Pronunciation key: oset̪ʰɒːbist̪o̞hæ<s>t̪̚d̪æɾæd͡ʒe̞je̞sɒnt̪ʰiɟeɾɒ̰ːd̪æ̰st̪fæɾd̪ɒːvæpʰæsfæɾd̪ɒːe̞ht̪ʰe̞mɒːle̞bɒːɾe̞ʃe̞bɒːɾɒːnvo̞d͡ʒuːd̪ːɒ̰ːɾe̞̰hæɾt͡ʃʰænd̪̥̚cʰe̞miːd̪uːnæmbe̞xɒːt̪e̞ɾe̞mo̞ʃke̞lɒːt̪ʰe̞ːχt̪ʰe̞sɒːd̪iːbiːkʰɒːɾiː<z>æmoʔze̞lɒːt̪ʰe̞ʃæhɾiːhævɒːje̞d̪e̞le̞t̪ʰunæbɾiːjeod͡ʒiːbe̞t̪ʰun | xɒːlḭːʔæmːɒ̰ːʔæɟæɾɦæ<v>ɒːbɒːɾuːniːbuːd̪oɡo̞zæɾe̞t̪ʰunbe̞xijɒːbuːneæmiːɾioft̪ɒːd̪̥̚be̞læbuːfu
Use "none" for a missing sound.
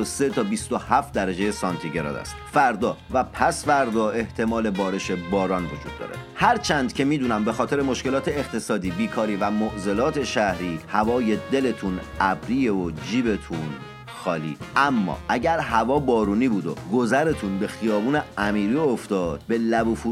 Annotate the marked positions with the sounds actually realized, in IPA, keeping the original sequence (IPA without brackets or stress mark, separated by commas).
f, v, v